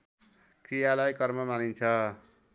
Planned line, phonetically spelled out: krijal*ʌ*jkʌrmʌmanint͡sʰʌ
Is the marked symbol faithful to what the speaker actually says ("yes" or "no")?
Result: no